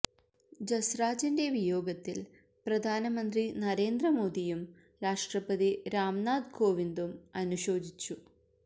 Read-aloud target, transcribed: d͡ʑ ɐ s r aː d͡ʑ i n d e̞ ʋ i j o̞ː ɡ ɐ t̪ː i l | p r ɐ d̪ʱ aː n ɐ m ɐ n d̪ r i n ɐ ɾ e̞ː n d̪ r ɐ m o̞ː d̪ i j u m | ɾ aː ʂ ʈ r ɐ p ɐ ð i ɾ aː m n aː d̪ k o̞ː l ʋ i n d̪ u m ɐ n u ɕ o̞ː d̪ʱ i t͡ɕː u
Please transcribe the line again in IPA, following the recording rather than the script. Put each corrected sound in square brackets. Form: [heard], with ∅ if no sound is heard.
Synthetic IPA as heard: d͡ʑ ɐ s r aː d͡ʑ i n d e̞ ʋ i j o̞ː ɡ ɐ t̪ː i l | p r ɐ d̪ʱ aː n ɐ m ɐ n d̪ r i n ɐ ɾ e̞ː n d̪ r ɐ m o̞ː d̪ i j u m | ɾ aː ʂ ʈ r ɐ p ɐ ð i ɾ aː m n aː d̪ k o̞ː [∅] ʋ i n d̪ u m ɐ n u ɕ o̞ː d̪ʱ i t͡ɕː u